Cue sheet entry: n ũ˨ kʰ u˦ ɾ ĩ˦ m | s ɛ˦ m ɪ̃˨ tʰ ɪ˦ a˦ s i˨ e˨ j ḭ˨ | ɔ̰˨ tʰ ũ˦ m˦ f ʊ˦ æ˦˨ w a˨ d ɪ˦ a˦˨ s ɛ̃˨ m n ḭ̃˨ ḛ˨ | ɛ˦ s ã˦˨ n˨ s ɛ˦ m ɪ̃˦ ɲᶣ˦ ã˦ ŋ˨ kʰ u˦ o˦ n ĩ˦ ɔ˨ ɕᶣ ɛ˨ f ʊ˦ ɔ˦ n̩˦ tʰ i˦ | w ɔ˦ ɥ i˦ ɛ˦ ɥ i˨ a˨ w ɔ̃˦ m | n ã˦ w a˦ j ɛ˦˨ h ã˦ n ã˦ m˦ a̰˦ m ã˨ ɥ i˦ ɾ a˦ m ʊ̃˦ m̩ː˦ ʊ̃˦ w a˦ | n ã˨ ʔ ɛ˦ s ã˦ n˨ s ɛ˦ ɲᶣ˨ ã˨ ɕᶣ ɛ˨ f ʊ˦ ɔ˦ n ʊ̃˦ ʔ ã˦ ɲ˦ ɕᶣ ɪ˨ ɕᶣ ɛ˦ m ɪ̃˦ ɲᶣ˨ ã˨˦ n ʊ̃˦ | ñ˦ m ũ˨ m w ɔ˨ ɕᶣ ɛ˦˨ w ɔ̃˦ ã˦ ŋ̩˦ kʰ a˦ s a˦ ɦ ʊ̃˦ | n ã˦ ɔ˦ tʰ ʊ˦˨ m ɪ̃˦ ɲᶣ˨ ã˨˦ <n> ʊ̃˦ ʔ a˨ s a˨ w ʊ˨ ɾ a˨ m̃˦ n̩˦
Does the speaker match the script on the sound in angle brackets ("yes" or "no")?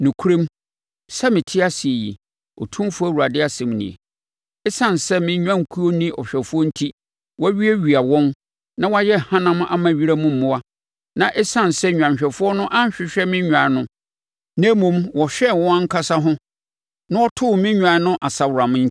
yes